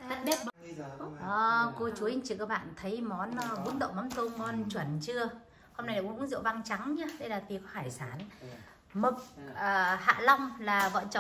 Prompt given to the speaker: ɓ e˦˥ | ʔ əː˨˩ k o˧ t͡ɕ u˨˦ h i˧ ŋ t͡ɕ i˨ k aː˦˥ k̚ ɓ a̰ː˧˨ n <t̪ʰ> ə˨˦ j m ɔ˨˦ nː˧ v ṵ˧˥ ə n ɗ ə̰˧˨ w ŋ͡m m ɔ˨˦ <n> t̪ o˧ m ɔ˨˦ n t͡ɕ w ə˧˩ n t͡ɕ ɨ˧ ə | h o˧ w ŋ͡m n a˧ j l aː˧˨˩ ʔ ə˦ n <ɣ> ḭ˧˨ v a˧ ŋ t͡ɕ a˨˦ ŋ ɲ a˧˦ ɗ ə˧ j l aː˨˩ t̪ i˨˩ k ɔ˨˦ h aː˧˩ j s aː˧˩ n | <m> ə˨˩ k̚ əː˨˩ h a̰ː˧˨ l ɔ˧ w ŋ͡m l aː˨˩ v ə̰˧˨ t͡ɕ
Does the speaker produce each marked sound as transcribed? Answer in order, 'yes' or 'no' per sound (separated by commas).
yes, yes, no, yes